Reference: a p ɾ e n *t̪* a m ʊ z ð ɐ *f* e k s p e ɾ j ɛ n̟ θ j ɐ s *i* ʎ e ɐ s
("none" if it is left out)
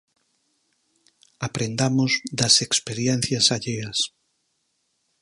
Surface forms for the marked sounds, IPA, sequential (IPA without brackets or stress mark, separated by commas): d̪, s, a